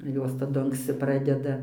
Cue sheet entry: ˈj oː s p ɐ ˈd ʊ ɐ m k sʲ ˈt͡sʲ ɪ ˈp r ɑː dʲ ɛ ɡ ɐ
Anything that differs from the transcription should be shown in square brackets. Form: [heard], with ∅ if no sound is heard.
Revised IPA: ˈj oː s [t] ɐ ˈd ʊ ɐ [ŋ] k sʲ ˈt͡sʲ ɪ ˈp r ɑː dʲ ɛ [d] ɐ

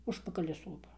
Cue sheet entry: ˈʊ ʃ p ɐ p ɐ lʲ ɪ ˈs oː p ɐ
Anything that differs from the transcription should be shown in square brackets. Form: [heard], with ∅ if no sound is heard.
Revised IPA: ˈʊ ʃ p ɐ [k] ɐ lʲ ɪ ˈs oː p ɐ

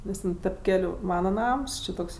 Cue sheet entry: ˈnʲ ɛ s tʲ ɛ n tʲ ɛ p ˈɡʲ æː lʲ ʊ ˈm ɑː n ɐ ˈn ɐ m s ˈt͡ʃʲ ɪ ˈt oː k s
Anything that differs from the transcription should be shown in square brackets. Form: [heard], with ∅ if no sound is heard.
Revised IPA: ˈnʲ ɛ s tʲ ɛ n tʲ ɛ p [ˈkʲ] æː lʲ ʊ ˈm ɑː n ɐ ˈn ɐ m s ˈt͡ʃʲ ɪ ˈt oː k s

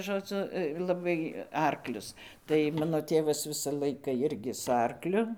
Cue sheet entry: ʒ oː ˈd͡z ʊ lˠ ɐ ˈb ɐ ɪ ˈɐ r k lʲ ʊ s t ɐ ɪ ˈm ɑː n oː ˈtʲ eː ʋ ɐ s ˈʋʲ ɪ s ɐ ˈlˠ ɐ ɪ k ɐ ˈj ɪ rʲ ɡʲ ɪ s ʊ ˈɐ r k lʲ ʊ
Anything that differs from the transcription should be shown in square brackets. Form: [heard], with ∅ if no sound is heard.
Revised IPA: ʒ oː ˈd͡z ʊ lˠ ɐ ˈb ɐ ɪ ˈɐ r k lʲ ʊ s t ɐ ɪ ˈm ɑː n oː ˈtʲ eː ʋ ɐ s ˈʋʲ ɪ s ɐ ˈlˠ ɐ ɪ k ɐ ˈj ɪ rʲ ɡʲ ɪ s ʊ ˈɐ r k lʲ ʊ

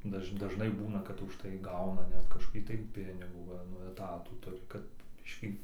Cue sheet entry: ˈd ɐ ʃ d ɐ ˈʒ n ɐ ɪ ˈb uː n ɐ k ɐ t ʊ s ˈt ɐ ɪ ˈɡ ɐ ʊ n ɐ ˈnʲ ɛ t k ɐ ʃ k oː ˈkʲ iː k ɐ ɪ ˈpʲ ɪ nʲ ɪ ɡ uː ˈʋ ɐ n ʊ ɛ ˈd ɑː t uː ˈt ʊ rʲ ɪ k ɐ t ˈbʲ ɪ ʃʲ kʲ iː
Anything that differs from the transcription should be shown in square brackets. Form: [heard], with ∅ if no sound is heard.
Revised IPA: ˈd ɐ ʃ d ɐ ˈʒ n ɐ ɪ ˈb uː n ɐ k ɐ t ʊ [ʃ] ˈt ɐ ɪ ˈɡ ɐ ʊ n ɐ ˈnʲ ɛ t k ɐ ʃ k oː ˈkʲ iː [t] ɐ ɪ ˈpʲ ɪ nʲ ɪ ɡ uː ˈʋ ɐ n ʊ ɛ [ˈt] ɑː t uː ˈt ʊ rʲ ɪ k ɐ t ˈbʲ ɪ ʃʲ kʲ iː

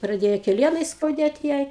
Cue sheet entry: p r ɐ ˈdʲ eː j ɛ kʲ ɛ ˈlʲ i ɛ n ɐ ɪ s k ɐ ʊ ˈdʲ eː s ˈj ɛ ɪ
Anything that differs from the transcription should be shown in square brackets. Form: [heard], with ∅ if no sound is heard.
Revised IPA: p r ɐ ˈdʲ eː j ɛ kʲ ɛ ˈlʲ i ɛ n ɐ ɪ s k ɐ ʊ ˈdʲ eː [t] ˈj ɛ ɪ

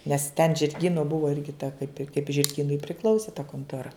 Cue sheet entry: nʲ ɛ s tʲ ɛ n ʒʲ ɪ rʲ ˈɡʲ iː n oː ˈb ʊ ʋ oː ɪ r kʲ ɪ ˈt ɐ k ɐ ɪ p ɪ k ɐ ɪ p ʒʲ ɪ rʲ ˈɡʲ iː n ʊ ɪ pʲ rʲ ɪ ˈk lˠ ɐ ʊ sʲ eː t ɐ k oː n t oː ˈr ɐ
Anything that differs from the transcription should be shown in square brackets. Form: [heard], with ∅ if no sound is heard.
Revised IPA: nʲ ɛ s tʲ ɛ n ʒʲ ɪ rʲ ˈɡʲ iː n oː ˈb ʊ ʋ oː ɪ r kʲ ɪ ˈt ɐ k ɐ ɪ p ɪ k ɐ ɪ p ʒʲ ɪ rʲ ˈɡʲ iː n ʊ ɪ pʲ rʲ ɪ ˈk lˠ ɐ ʊ sʲ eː t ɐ k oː n t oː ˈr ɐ

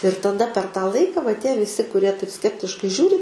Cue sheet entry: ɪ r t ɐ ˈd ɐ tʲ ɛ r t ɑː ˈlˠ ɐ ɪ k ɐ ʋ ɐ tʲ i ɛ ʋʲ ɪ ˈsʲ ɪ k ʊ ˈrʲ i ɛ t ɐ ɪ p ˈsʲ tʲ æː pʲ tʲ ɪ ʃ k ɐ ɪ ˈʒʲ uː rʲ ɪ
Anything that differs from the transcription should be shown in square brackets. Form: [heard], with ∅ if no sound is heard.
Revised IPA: ɪ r t ɐ ˈd ɐ [pʲ] ɛ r t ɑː ˈlˠ ɐ ɪ k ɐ ʋ ɐ tʲ i ɛ ʋʲ ɪ ˈsʲ ɪ k ʊ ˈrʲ i ɛ t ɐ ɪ p ˈsʲ [kʲ] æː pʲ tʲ ɪ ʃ k ɐ ɪ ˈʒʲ uː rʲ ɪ

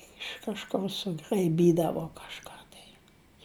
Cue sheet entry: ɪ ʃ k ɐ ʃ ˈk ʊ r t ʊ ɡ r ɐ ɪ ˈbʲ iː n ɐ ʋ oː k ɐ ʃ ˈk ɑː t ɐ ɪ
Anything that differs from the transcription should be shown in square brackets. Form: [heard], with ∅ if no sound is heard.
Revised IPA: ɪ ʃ k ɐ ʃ ˈk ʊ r [s] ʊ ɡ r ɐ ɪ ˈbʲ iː [d] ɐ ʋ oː k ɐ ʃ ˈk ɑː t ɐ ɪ

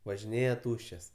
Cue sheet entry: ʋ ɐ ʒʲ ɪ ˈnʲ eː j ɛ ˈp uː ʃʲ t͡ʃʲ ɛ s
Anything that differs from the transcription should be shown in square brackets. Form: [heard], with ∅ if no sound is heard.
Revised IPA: ʋ ɐ ʒʲ ɪ ˈnʲ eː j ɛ [ˈt] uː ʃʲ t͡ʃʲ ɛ s

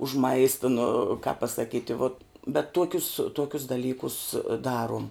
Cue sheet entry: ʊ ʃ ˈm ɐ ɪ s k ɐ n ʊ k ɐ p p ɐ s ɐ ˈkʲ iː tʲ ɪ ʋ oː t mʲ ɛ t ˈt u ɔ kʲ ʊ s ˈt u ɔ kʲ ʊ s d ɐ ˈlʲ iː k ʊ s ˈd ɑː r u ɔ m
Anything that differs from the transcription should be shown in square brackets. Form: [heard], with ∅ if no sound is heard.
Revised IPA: ʊ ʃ ˈm ɐ ɪ s [t] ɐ n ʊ k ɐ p p ɐ s ɐ ˈkʲ iː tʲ ɪ ʋ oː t [bʲ] ɛ t ˈt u ɔ kʲ ʊ s ˈt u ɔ kʲ ʊ s d ɐ ˈlʲ iː k ʊ s ˈd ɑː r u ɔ m

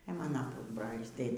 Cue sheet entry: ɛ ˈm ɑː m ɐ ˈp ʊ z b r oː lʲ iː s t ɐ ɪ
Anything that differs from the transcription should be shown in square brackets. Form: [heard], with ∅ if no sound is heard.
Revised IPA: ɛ ˈm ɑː [n] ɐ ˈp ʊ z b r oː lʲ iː s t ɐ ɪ

